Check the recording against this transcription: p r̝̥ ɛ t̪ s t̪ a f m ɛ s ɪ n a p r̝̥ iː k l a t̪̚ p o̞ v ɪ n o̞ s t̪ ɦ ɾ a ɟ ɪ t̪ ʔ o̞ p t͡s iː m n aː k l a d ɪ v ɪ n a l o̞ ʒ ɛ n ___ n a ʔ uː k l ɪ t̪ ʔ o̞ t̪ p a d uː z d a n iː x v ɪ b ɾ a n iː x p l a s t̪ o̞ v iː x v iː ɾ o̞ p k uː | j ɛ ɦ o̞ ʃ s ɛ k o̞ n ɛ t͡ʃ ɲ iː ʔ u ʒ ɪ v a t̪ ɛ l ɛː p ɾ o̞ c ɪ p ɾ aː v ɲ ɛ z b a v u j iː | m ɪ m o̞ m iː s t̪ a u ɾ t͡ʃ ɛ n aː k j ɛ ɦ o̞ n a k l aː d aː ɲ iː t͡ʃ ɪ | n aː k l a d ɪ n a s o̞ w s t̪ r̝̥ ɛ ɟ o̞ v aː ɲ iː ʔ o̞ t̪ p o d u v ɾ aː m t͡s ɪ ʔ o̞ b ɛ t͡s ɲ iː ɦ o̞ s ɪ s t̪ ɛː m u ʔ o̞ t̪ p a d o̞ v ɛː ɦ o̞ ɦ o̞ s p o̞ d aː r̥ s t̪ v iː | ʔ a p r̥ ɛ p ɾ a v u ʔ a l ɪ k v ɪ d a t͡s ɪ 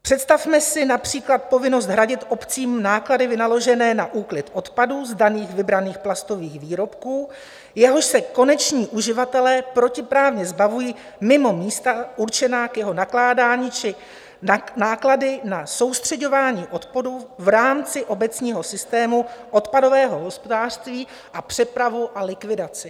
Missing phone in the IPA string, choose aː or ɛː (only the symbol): ɛː